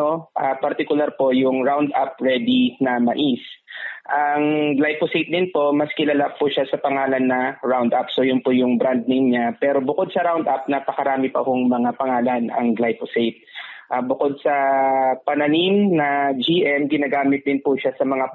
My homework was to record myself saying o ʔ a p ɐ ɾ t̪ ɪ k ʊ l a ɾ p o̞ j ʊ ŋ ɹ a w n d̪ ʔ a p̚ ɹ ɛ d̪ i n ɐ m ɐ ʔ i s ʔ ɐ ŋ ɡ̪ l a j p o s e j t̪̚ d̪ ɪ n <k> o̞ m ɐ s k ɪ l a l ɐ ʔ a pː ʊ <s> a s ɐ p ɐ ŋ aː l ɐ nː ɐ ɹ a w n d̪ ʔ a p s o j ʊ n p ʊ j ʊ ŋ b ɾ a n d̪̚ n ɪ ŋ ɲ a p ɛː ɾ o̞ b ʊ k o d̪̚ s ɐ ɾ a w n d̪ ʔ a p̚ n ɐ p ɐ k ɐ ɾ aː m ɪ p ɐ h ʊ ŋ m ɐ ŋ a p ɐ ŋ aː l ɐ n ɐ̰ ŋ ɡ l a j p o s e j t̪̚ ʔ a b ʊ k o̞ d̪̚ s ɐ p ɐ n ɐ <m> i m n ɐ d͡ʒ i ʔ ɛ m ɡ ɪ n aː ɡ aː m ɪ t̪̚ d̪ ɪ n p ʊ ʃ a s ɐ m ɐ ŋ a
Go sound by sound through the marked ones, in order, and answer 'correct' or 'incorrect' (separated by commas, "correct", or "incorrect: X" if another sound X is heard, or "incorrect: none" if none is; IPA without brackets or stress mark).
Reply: incorrect: p, incorrect: ʃ, incorrect: n